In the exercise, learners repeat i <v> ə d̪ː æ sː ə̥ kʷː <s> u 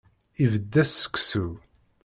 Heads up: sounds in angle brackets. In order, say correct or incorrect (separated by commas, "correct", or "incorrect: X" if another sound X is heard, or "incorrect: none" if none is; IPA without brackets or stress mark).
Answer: correct, correct